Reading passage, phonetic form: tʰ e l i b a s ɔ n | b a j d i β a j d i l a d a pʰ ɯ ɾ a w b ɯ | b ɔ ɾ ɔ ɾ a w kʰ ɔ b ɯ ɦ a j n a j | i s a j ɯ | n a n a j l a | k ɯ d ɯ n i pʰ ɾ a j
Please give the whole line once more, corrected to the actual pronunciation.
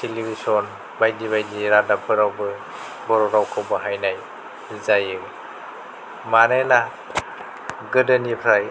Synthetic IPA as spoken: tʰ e l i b i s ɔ n | b a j d i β a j d i ɾ a d a pʰ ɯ ɾ a w b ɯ | b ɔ ɾ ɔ ɾ a w kʰ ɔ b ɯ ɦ a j n a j | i z a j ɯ | m a n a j l a | ɡ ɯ d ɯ n i pʰ ɾ a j